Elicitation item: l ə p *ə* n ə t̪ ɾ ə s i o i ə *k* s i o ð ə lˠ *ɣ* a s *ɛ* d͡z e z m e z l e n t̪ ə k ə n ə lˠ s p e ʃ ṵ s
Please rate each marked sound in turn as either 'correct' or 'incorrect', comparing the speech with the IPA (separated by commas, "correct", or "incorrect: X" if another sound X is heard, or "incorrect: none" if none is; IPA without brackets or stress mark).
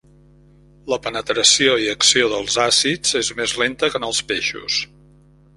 correct, correct, incorrect: z, incorrect: i